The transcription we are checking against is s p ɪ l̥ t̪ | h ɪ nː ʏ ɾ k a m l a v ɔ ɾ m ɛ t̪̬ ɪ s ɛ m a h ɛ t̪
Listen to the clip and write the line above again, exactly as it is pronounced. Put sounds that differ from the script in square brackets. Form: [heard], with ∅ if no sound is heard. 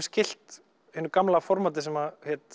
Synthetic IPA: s [c] ɪ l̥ t̪ | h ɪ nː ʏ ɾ k a m l a [f] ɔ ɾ m [a] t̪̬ ɪ s ɛ m a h ɛ t̪

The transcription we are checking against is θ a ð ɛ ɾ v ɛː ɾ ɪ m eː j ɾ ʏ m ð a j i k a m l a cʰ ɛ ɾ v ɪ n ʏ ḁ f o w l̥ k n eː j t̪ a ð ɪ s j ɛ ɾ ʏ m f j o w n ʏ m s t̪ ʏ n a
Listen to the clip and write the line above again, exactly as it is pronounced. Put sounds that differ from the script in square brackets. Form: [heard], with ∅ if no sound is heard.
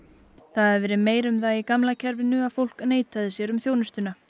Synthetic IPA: θ a ð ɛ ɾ v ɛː ɾ ɪ m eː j ɾ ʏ m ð a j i k a m l a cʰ ɛ ɾ v ɪ n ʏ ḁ f o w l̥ k n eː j t̪ a ð ɪ s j ɛ ɾ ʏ m [θ] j o w n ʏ [∅] s t̪ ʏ n a

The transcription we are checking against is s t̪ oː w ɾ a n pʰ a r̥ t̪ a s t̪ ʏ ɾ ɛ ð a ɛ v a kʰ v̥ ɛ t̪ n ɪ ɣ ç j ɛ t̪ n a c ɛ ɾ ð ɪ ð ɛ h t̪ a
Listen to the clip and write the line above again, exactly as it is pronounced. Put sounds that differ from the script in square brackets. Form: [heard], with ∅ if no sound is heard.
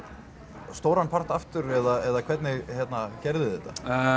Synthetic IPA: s t̪ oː w ɾ a n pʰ a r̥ t̪ a [f] t̪ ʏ ɾ ɛ ð a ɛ [ð] a kʰ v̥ ɛ t̪ n ɪ ɣ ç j ɛ t̪ n a c ɛ ɾ ð ɪ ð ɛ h t̪ a

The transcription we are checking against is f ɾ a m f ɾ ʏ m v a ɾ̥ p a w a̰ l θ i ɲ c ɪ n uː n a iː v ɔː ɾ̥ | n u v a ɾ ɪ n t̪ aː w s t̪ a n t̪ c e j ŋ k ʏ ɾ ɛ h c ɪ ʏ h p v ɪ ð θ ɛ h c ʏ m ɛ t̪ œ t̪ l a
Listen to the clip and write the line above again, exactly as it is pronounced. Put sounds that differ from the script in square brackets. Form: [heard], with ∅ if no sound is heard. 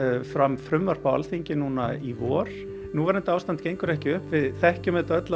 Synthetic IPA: f ɾ a m f ɾ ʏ m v a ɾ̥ p a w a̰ l θ i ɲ c ɪ n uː n a [i] v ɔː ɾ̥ | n u v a ɾ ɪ n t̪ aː w s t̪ a n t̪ c e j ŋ k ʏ ɾ ɛ h c ɪ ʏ h p v ɪ ð θ ɛ h c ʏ m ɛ t̪ œ t̪ l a

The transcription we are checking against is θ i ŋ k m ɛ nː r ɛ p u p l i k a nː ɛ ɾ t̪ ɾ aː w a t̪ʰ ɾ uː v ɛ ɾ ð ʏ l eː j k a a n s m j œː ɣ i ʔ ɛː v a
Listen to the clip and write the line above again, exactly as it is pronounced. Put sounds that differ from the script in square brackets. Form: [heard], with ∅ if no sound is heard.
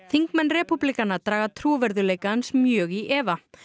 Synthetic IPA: θ i ŋ k m ɛ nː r ɛ p u p l i k a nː [a] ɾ t̪ ɾ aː [ɣ] a t̪ʰ ɾ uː v ɛ ɾ ð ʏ l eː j k a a n s m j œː ɣ i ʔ ɛː v a

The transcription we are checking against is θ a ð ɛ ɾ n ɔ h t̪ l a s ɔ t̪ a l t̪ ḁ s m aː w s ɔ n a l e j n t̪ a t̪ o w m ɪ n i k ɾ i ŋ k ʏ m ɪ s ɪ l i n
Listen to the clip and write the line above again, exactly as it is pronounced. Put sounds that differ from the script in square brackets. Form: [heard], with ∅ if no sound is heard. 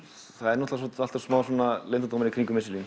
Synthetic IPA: θ a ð ɛ ɾ n ɔ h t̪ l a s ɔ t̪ a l t̪ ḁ s m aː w s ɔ n a l e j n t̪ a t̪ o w m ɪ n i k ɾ i ŋ k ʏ m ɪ s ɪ l i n

